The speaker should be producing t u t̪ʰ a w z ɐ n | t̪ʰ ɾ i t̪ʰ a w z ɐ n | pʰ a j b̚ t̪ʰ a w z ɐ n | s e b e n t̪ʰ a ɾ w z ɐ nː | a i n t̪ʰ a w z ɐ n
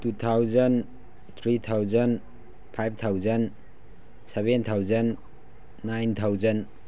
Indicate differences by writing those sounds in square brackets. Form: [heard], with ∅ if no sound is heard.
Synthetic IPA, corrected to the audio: t u t̪ʰ a w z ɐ n | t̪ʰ ɾ i t̪ʰ a w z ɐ n | pʰ a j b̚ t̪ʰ a w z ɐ n | s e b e n t̪ʰ a [∅] w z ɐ nː | a [j] n t̪ʰ a w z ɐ n

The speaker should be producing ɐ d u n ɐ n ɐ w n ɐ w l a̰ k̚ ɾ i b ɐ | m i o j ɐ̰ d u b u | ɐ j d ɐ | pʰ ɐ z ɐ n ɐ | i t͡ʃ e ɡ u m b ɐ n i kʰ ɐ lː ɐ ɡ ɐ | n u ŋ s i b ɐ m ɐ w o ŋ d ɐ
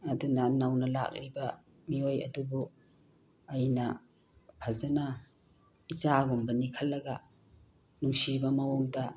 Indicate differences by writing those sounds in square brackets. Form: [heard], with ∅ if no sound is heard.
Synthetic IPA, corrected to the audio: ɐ d u n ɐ n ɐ w n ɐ [∅] l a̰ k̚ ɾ i b ɐ | m i o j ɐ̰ d u b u | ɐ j [n] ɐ | pʰ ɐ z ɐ n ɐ | i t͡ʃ [a] ɡ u m b ɐ n i kʰ ɐ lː ɐ ɡ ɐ | n u ŋ s i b ɐ m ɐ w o ŋ d ɐ

